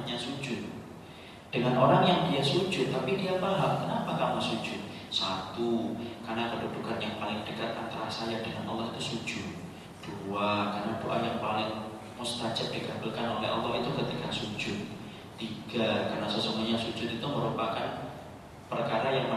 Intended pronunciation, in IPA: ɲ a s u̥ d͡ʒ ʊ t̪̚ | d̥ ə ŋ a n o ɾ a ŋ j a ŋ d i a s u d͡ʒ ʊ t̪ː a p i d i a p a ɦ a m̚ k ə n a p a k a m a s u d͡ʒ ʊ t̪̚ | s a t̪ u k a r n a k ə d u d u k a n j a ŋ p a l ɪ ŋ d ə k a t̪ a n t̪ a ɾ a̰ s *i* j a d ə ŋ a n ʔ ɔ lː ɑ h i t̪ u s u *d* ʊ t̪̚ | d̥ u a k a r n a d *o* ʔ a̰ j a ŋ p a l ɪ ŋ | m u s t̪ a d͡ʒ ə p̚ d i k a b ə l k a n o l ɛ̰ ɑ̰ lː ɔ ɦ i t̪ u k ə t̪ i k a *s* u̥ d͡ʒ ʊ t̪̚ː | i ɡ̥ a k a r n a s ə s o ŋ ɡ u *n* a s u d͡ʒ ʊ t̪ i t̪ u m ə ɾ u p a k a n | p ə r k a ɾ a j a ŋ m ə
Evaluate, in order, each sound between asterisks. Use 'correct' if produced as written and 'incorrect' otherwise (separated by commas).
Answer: incorrect, incorrect, correct, correct, incorrect